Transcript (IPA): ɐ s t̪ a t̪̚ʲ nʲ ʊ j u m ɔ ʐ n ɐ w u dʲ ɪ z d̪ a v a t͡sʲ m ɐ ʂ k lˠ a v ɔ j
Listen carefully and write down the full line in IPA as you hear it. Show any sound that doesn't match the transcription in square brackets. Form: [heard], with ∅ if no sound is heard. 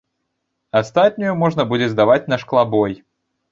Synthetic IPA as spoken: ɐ s t̪ a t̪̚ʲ nʲ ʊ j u m ɔ ʐ n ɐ [b] u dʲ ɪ z d̪ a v a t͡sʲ [n] ɐ ʂ k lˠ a [b] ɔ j